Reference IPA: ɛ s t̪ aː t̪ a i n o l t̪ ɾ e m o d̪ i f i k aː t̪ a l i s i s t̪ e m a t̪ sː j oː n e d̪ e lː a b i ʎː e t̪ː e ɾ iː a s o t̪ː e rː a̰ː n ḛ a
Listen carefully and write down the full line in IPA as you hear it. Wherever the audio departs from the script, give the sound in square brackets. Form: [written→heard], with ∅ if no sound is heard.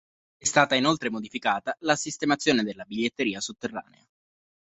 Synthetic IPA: ɛ s t̪ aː t̪ a i n o l t̪ ɾ e m o d̪ i f i k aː t̪ a l [i→a] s i s t̪ e m a t̪ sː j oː n e d̪ e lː a b i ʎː e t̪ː e ɾ iː a s o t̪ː e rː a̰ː n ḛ a